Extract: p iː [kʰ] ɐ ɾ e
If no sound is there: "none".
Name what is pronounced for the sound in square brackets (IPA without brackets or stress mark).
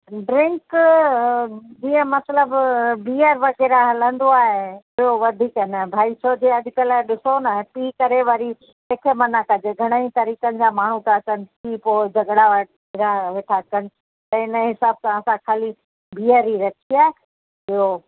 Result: k